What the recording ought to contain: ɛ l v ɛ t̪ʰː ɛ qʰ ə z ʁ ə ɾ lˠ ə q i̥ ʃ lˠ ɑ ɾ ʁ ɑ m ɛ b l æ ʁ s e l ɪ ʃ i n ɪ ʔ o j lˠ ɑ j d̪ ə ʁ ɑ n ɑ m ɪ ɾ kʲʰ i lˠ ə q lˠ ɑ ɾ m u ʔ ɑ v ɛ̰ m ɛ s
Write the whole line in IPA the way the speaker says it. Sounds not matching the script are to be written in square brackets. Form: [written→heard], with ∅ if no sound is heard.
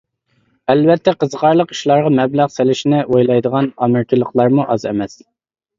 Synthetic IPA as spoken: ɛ l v ɛ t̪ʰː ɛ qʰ ə z ʁ [ə→ɑ] ɾ lˠ ə q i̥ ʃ lˠ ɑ ɾ ʁ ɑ m ɛ b l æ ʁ s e l ɪ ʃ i n ɪ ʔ o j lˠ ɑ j d̪ ə ʁ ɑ n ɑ m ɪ ɾ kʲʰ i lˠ ə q lˠ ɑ ɾ m u ʔ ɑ [v→z] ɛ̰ m ɛ s